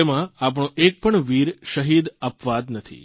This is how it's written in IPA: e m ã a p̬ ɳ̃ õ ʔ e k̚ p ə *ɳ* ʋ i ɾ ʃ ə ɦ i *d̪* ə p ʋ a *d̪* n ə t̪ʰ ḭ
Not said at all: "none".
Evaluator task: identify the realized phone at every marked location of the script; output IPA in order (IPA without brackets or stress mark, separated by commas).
ɳ, d̪, d̪